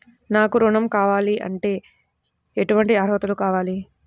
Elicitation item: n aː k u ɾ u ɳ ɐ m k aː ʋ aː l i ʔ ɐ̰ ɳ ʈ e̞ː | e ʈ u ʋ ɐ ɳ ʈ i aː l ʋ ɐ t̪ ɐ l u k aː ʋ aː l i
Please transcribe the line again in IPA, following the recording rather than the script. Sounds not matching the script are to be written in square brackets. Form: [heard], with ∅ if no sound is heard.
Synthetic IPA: n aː k u ɾ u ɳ ɐ m k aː ʋ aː l i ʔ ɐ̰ ɳ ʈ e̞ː | e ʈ u ʋ ɐ ɳ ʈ i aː [ɾ] ʋ ɐ t̪ ɐ l u k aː ʋ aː l i